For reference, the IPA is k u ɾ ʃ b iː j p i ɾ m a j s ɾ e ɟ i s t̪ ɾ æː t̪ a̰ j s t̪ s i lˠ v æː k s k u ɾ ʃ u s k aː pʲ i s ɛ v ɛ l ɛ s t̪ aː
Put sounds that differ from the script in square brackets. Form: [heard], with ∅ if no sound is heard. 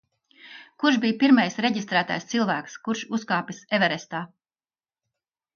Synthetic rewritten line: k u ɾ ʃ b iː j p i ɾ m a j s ɾ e ɟ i s t̪ ɾ æː t̪ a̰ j s t̪ s i lˠ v æː k s k u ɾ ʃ u s k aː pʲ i s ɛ v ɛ [ɾ] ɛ s t̪ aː